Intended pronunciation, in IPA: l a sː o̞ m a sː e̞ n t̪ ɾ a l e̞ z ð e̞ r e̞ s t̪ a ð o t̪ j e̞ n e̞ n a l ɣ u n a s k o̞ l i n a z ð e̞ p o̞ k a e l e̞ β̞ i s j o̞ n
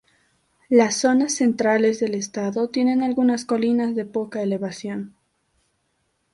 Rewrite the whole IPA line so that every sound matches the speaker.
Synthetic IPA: l a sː o̞ n a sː e̞ n t̪ ɾ a l e̞ z ð e̞ l e̞ s t̪ a ð o t̪ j e̞ n e̞ n a l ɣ u n a s k o̞ l i n a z ð e̞ p o̞ k a e l e̞ β̞ a s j o̞ n